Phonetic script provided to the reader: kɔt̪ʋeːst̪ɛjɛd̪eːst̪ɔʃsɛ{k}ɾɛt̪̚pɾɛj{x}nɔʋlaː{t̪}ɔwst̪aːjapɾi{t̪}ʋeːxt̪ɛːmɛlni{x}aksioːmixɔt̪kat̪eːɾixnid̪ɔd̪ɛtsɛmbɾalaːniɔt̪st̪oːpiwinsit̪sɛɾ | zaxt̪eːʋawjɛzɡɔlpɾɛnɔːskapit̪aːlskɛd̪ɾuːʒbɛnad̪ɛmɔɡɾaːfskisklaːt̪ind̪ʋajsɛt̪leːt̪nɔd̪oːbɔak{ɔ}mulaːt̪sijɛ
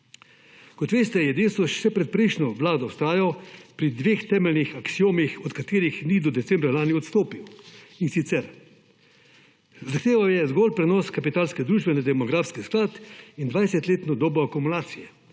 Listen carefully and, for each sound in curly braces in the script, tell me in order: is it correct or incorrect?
incorrect: p, incorrect: ʃ, incorrect: d̪, incorrect: d̪, correct, incorrect: u

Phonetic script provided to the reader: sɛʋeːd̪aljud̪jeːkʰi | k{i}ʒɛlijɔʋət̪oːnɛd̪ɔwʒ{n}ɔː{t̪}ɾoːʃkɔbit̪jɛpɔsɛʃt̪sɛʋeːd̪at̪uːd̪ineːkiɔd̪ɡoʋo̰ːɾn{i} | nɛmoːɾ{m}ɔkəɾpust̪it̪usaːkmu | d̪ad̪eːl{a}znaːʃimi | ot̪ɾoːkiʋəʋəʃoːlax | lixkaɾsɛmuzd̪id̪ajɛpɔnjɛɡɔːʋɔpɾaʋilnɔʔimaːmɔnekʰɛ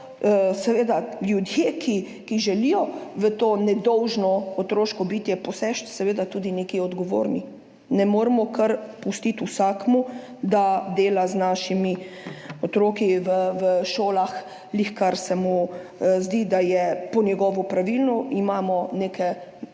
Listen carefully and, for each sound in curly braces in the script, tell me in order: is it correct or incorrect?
correct, correct, correct, correct, correct, correct

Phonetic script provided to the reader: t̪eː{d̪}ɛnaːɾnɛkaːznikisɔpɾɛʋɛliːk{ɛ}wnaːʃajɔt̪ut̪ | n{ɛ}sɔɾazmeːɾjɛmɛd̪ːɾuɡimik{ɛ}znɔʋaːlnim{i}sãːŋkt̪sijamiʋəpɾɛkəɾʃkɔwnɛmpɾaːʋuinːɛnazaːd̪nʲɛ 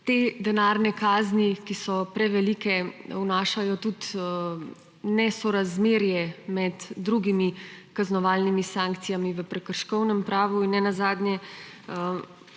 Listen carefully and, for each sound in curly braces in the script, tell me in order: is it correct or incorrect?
correct, correct, correct, incorrect: a, correct

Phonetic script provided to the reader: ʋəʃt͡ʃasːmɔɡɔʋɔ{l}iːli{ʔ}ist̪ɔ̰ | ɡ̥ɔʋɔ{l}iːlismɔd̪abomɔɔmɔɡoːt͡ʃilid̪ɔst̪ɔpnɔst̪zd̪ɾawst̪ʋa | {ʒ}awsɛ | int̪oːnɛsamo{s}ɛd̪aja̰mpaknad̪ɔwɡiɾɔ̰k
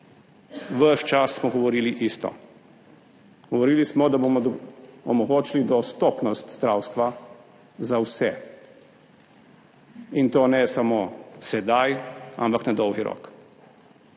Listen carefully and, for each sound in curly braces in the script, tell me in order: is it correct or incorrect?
incorrect: ɾ, correct, incorrect: ɾ, incorrect: z, correct

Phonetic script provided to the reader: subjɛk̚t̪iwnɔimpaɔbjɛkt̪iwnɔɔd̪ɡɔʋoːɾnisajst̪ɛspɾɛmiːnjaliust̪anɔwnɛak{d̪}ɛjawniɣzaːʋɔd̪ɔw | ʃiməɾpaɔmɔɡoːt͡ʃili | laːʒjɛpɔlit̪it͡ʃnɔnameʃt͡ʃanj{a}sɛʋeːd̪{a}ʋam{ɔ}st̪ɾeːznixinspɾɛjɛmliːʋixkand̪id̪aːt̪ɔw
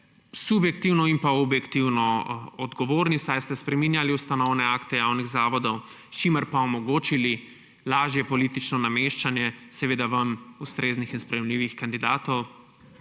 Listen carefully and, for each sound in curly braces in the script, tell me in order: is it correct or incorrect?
incorrect: t̪, incorrect: ɛ, correct, incorrect: u

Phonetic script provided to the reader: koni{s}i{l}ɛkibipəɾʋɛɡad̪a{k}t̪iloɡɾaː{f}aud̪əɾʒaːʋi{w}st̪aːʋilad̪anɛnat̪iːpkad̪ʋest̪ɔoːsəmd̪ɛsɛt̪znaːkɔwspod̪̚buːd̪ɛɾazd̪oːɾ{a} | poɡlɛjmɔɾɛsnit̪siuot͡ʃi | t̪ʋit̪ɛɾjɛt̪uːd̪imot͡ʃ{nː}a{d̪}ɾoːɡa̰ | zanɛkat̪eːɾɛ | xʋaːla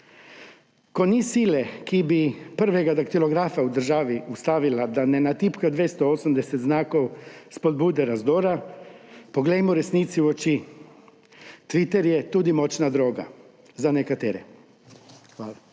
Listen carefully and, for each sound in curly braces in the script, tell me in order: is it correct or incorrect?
correct, correct, correct, correct, incorrect: u, correct, incorrect: n, correct

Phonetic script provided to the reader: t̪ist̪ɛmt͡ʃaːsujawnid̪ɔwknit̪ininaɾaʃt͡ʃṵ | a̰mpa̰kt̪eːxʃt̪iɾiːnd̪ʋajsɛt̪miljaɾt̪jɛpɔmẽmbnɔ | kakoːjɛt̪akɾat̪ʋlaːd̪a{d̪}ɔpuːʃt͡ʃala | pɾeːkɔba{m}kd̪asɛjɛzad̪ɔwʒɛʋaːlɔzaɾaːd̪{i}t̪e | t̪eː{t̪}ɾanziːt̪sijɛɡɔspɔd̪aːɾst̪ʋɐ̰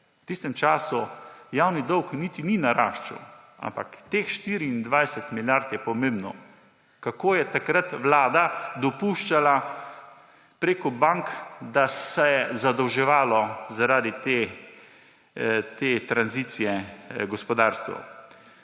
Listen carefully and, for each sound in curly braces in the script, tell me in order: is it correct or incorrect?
correct, incorrect: ŋ, correct, correct

